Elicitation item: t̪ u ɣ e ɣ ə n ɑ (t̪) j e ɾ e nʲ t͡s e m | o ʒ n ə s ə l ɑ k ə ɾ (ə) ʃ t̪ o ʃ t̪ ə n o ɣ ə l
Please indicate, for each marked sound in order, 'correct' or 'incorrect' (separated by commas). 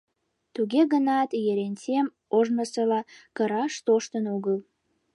correct, incorrect